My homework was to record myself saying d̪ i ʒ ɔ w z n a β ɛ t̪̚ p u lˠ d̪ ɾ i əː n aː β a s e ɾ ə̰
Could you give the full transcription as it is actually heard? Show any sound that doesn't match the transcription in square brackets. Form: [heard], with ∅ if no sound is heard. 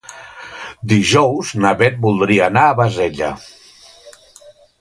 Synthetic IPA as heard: d̪ i ʒ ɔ w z n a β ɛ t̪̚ [b] u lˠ d̪ ɾ i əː n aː β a [z] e [ʎ] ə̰